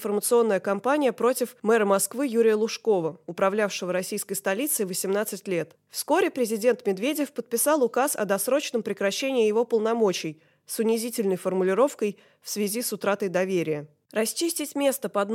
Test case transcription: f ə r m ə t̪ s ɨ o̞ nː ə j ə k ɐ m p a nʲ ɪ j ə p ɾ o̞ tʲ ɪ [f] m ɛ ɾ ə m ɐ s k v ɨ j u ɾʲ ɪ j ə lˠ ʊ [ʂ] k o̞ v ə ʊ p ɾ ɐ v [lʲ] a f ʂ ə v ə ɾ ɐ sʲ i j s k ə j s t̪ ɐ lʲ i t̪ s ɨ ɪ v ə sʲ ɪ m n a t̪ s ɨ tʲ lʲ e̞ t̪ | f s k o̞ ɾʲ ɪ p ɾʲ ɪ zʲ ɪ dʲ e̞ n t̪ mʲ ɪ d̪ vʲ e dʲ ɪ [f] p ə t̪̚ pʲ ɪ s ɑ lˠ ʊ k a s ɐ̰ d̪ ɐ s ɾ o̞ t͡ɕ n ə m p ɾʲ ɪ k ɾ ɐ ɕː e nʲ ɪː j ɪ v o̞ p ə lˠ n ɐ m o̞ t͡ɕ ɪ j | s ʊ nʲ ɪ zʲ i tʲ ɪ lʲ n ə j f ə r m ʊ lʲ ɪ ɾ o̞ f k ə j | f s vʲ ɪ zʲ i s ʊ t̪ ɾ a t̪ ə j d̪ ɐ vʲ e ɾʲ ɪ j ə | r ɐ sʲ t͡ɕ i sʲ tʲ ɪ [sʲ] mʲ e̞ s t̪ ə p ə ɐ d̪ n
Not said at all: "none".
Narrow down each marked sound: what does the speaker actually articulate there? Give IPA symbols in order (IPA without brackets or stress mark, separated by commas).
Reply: f, ʂ, lʲ, f, tʲ